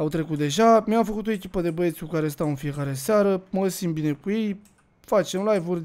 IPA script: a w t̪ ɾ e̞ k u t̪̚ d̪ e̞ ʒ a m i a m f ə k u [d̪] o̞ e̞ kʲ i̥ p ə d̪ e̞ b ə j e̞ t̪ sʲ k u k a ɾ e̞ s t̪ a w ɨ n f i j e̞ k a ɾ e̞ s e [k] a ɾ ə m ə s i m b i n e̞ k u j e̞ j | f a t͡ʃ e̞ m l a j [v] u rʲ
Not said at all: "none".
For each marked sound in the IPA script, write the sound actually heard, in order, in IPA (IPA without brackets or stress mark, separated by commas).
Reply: t̪, none, v